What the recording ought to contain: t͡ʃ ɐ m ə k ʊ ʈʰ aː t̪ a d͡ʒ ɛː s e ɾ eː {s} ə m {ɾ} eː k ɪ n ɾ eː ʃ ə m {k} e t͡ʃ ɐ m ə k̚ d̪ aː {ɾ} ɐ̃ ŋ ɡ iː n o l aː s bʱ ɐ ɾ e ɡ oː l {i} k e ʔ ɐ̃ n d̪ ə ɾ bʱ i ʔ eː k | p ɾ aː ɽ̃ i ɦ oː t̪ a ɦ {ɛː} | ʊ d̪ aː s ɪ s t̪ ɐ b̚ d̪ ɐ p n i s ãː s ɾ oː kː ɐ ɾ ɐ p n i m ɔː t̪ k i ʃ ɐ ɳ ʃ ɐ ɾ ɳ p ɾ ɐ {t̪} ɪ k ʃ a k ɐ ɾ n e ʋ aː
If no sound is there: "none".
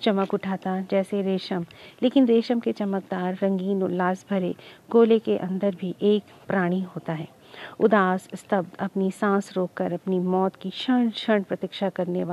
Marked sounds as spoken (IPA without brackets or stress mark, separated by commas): ʃ, l, k, ɾː, e, ɛː, t̪